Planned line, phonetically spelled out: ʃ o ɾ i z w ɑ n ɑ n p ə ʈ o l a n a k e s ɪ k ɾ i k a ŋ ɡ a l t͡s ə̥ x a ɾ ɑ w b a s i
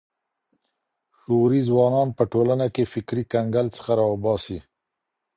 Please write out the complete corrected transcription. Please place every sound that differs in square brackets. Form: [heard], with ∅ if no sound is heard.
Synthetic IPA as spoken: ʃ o ɾ i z w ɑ n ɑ n p ə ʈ o l a n a k e [f] ɪ k ɾ i k a ŋ ɡ a l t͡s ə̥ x a ɾ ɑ w b [ɑ] s i